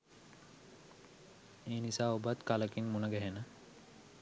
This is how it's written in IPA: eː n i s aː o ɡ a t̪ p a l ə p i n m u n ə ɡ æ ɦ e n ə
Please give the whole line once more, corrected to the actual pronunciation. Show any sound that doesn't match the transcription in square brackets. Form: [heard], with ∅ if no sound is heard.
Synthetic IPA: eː n i s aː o [b] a t̪ [k] a l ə [k] i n m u n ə ɡ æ ɦ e n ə

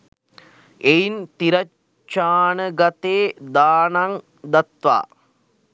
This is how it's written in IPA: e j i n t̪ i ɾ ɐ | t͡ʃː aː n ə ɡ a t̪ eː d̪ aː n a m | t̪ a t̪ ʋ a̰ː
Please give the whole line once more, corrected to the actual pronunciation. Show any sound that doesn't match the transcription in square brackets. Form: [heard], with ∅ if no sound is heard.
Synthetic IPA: e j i n t̪ i ɾ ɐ | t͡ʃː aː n ə ɡ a t̪ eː d̪ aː n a [ŋ] | [d̪] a t̪ ʋ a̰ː

